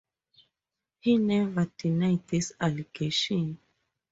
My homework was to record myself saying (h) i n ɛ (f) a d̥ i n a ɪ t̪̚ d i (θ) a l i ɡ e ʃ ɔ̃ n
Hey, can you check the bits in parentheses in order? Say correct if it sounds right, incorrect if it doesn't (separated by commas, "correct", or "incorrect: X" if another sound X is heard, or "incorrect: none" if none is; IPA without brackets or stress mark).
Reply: correct, incorrect: v, incorrect: s